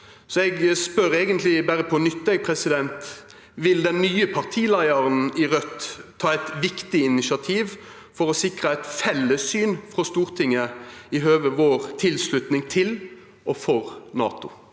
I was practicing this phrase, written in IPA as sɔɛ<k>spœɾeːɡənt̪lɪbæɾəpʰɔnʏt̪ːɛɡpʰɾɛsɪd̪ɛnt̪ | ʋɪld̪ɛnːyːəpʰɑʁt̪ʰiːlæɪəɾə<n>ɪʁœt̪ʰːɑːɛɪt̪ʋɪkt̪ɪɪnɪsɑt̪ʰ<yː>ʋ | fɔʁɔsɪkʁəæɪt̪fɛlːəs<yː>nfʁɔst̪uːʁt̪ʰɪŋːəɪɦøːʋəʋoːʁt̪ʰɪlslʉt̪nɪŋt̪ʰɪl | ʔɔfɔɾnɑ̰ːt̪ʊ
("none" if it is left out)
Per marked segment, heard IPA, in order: ɡ, n, iː, yː

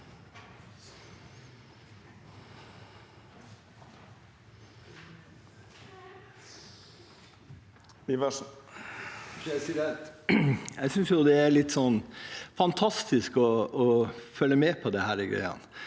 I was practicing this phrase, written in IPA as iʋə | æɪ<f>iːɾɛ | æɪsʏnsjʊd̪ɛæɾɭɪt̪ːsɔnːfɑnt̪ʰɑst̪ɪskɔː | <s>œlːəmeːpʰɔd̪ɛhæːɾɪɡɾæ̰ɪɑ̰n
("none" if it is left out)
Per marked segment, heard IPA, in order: s, f

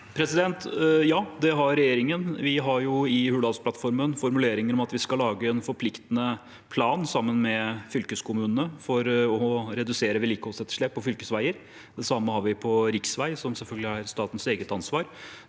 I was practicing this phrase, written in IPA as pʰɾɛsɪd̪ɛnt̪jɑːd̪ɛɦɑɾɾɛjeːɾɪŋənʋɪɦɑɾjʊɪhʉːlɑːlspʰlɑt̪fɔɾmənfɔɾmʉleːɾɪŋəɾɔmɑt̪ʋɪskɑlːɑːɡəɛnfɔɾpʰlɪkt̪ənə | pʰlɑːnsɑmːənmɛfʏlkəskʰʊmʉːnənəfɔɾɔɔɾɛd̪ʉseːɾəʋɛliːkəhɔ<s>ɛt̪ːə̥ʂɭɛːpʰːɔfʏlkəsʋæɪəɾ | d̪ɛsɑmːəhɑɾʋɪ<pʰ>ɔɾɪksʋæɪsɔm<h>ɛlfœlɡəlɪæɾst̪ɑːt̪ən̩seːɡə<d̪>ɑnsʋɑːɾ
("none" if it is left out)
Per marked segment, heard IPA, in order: s, pʰ, s, t̪

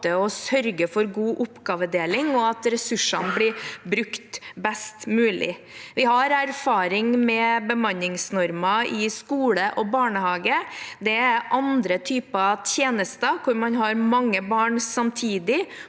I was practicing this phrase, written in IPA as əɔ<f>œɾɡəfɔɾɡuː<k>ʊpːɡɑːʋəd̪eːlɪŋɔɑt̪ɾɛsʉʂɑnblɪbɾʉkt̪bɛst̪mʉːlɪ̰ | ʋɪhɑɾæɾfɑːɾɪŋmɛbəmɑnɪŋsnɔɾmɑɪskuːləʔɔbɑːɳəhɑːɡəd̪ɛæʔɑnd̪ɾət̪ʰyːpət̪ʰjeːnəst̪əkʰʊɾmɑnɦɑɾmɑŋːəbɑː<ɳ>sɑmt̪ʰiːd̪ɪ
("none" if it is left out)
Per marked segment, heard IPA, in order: s, ʔ, ɳ

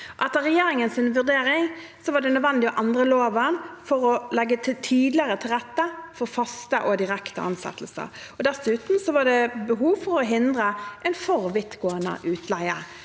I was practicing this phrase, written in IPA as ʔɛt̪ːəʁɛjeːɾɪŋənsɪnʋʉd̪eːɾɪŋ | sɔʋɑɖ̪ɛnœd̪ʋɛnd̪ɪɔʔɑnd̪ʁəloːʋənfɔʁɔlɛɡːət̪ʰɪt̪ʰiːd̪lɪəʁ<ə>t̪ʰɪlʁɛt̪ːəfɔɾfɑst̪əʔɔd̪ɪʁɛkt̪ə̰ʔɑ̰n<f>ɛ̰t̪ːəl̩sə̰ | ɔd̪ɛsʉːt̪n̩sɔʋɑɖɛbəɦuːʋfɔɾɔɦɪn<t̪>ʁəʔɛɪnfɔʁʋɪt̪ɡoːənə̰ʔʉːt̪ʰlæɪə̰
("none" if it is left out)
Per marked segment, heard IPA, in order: ə, s, d̪

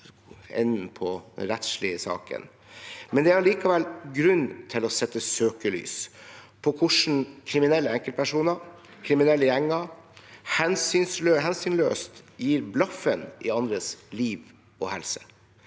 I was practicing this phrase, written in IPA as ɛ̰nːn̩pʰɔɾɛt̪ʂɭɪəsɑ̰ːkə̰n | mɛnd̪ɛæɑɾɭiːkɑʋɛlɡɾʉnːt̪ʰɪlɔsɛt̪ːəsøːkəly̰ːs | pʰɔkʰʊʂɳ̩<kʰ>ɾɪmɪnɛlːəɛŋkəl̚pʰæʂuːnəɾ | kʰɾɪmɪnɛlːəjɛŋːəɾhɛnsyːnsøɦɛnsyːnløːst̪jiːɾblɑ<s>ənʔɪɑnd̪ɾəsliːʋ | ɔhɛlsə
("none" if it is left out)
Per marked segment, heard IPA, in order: kʰ, f

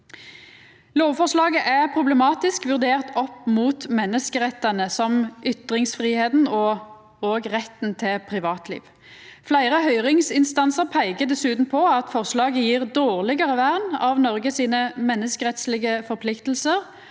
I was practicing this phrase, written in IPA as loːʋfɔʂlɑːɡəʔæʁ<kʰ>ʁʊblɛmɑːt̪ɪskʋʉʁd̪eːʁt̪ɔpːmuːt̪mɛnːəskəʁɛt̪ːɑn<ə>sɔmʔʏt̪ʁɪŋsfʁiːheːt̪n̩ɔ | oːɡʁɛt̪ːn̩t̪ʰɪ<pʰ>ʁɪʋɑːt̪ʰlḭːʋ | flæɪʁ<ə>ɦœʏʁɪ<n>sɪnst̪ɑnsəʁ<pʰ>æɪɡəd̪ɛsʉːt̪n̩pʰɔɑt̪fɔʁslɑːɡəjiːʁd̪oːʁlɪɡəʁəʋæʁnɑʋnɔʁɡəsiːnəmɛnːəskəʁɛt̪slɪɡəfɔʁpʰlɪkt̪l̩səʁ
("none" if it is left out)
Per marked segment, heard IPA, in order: pʰ, ə, pʰ, ə, ŋ, pʰ

